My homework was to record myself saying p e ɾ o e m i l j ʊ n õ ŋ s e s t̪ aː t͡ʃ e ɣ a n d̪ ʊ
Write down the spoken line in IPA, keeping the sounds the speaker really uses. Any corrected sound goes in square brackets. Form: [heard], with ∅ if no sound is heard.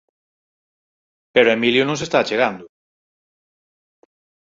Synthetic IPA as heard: p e ɾ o e m i l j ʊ n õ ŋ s e s t̪ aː t͡ʃ e ɣ a n d̪ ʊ